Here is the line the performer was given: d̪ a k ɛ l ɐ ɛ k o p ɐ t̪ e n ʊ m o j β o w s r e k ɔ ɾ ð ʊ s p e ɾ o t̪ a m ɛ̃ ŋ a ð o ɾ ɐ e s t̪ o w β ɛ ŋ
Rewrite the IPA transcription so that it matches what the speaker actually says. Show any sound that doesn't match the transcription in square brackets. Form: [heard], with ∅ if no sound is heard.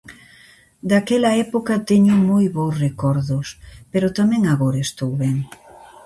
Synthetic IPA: d̪ a k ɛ l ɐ ɛ [p] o [k] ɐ t̪ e [ɲ] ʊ m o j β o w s r e k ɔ ɾ ð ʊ s p e ɾ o t̪ a m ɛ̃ ŋ a [ɣ] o ɾ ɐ e s t̪ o w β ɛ ŋ